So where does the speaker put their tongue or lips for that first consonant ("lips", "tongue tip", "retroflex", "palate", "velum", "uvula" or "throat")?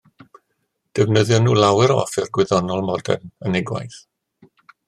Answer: tongue tip